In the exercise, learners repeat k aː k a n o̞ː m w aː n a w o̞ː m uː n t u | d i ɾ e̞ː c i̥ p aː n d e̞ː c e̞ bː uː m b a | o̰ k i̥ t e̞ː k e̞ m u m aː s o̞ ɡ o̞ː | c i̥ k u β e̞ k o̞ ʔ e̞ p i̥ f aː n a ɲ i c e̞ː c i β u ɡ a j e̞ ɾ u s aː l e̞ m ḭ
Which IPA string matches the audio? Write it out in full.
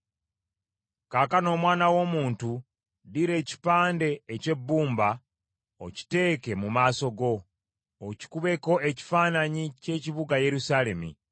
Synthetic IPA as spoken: k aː k a n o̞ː m w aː n a w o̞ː m uː n t u | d i ɾ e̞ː c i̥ p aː n d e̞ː c e̞ bː uː m b a | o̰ c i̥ t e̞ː k e̞ m u m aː s o̞ ɡ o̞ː | c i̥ k u β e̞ k o̞ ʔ e̞ c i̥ f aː n a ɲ i c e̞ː c i β u ɡ a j e̞ ɾ u s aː l e̞ m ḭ